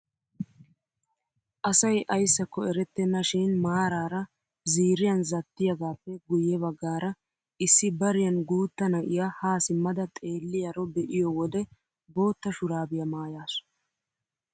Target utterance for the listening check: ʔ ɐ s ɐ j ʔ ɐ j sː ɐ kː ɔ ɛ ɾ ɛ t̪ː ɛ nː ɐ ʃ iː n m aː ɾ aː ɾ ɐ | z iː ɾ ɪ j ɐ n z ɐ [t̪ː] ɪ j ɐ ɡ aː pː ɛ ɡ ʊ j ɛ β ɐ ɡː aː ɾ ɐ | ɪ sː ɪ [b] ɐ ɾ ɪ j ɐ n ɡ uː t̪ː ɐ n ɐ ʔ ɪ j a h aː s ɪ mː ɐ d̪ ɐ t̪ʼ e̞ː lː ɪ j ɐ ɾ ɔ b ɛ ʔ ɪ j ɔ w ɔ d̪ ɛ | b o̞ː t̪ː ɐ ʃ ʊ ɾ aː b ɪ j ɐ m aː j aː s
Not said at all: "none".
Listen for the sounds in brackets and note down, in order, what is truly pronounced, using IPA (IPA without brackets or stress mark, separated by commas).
t̪ː, b